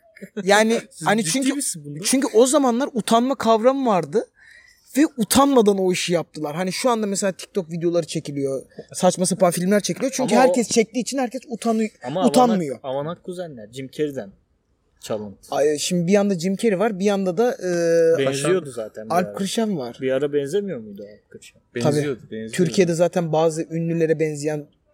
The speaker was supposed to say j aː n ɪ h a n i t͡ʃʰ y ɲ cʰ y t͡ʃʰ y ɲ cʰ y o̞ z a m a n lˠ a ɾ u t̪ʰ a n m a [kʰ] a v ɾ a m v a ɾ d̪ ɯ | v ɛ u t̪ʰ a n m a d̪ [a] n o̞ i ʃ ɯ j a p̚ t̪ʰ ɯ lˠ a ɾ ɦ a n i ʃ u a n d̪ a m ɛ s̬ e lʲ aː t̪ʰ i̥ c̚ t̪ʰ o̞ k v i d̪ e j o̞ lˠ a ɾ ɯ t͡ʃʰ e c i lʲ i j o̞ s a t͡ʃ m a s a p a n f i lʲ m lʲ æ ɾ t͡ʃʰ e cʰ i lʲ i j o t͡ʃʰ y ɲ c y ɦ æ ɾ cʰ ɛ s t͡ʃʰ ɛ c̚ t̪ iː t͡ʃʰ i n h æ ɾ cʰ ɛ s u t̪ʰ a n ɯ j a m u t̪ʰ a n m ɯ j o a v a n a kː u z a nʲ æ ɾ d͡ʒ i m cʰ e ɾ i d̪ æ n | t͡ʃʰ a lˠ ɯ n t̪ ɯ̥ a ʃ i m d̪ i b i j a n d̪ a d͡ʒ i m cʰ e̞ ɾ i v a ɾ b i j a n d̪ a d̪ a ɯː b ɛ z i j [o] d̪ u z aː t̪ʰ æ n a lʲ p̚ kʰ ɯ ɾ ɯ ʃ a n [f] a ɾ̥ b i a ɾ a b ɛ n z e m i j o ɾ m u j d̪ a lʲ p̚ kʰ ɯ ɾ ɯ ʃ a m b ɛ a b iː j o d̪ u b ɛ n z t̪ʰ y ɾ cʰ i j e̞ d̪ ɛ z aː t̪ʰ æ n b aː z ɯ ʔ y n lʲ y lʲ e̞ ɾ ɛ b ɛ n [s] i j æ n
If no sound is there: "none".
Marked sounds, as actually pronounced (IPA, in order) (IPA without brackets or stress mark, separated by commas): kʰ, a, o, v, z